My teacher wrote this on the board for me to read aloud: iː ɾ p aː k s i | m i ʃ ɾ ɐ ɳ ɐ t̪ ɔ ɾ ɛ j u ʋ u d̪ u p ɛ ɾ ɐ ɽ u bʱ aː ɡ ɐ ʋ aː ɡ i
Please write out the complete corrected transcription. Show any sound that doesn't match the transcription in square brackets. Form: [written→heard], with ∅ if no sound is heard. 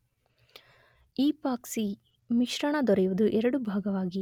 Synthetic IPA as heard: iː [ɾ→∅] p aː k s i | m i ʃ ɾ ɐ ɳ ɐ [t̪→d̪] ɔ ɾ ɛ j u ʋ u d̪ u [p→ʔ] ɛ ɾ ɐ ɽ u bʱ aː ɡ ɐ ʋ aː ɡ i